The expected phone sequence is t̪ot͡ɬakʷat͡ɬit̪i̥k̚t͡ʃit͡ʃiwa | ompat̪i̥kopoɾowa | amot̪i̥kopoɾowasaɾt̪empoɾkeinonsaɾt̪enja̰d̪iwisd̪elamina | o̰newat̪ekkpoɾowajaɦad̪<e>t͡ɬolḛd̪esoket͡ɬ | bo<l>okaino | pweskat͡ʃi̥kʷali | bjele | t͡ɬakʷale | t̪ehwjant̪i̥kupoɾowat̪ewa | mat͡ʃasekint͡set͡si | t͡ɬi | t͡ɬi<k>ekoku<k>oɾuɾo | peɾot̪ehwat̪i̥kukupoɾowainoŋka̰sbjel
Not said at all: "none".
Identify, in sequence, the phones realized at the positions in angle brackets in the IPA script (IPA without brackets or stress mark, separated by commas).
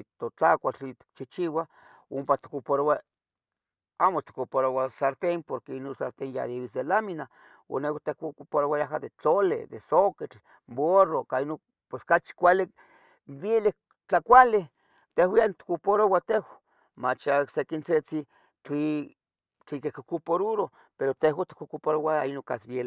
e, r, k, p